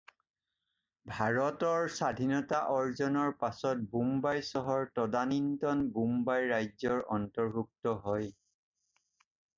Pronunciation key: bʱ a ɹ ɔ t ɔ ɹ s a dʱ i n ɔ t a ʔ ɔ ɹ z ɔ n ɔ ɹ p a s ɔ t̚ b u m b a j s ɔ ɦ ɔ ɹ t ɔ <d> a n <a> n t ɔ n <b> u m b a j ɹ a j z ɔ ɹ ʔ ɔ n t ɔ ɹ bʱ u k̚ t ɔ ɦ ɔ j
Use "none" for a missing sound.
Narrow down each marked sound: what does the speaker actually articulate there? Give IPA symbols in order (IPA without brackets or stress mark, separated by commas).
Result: d, i, b